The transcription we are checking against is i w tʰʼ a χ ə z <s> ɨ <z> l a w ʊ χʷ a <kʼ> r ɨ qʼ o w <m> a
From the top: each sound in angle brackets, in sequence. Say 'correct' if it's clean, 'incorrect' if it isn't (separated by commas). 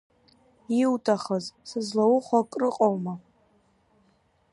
correct, correct, correct, correct